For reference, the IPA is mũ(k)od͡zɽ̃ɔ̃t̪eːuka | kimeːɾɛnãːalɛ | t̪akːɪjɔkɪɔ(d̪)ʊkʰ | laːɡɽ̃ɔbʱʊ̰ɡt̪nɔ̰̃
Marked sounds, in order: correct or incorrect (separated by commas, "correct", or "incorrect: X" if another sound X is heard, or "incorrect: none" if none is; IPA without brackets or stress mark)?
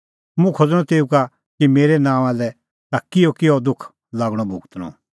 incorrect: kʰ, correct